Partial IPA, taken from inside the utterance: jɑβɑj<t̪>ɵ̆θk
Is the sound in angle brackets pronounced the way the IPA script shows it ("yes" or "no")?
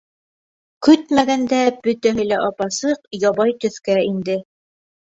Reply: yes